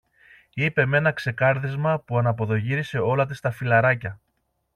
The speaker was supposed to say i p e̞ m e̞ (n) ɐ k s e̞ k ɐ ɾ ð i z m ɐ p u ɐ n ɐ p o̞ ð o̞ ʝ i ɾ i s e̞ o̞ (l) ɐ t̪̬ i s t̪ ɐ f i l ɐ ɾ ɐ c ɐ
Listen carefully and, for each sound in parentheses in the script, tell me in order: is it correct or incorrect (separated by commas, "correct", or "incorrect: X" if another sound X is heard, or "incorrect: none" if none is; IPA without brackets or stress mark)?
correct, correct